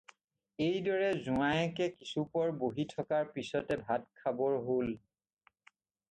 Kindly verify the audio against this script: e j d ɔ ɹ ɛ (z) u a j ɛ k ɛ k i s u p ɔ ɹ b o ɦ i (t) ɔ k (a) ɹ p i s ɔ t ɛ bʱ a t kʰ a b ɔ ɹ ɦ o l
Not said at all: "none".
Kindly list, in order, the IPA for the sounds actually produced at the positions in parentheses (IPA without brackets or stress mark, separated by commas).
z, tʰ, a